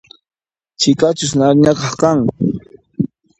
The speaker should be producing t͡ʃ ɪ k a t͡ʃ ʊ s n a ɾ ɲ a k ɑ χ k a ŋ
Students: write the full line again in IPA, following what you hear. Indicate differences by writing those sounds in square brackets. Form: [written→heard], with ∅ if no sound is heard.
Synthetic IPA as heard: t͡ʃ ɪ k a t͡ʃ ʊ s n a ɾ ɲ a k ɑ χ k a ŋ